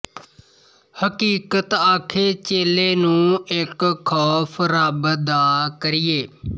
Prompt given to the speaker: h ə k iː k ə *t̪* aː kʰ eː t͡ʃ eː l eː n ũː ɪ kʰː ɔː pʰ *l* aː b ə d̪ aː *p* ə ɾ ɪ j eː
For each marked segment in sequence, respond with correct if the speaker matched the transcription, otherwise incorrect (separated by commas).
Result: correct, incorrect, incorrect